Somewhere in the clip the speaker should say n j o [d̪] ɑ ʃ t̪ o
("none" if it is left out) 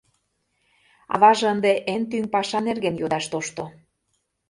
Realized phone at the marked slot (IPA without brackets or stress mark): d̪